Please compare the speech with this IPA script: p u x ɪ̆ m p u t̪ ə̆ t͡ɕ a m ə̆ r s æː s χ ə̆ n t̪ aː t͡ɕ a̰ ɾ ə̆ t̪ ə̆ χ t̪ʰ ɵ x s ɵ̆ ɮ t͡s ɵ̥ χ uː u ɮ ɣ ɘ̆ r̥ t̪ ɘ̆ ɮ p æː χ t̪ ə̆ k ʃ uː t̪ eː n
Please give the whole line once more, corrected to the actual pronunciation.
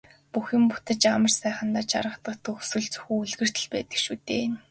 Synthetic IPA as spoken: p u x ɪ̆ m p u t̪ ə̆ t͡ɕ a m ə̆ r s æː χ ə̆ n t̪ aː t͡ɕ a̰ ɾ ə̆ t̪ ə̆ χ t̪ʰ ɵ x s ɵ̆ ɮ t͡s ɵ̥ x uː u ɮ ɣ ɘ̆ r̥ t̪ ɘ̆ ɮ p æː t̪ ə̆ k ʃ uː t̪ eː n